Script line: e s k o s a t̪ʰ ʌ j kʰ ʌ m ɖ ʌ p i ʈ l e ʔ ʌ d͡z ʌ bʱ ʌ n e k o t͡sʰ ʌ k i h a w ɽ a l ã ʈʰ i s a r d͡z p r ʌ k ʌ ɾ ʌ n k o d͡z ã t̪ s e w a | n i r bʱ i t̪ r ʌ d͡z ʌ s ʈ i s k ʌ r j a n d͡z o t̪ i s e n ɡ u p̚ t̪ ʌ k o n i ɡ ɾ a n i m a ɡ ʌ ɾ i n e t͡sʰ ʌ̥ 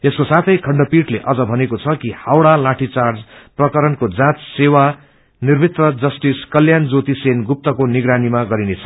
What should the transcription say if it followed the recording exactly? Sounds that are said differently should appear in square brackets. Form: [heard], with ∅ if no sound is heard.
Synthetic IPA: e s k o s a t̪ʰ ʌ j kʰ ʌ [ɳ] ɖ ʌ p i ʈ l e ʔ ʌ d͡z ʌ bʱ ʌ n e k o t͡sʰ ʌ k i h a w ɽ a l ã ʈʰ i [t͡s] a r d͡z p r ʌ k ʌ ɾ ʌ n k o d͡z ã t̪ s e w a | n i r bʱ i t̪ r ʌ d͡z ʌ s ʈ i s k ʌ [l] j a n d͡z o t̪ i s e n ɡ u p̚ t̪ ʌ k o n i ɡ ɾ a n i m a ɡ ʌ ɾ i n e t͡sʰ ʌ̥